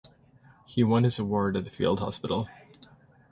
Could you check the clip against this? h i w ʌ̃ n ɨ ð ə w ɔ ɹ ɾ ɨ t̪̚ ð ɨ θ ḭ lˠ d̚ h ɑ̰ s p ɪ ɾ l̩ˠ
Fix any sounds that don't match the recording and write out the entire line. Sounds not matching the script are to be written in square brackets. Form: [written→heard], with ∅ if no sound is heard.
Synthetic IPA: h i w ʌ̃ n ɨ [ð→z] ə w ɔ ɹ ɾ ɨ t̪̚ ð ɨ [θ→f] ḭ lˠ d̚ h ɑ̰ s p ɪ ɾ l̩ˠ